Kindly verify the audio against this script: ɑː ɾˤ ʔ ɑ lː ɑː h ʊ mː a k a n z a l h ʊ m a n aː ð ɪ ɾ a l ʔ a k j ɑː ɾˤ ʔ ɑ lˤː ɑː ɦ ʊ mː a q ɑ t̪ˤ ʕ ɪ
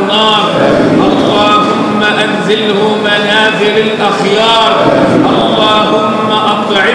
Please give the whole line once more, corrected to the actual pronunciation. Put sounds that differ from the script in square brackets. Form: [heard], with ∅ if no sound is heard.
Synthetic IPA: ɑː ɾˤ ʔ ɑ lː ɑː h ʊ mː a [ʔ] a n z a l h ʊ m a n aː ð ɪ ɾ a l ʔ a [x] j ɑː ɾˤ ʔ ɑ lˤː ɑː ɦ ʊ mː a [ʔ] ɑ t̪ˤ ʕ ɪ